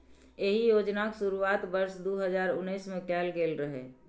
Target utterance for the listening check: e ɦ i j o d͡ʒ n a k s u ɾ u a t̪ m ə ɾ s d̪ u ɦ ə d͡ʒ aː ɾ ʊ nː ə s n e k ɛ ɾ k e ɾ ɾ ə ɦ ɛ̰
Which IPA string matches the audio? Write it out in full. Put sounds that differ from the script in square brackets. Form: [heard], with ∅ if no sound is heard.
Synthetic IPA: e ɦ i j o d͡ʒ n a k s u ɾ u a t̪ [b] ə ɾ s d̪ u ɦ ə d͡ʒ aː ɾ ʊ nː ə s [m] e k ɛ [l] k e [l] ɾ ə ɦ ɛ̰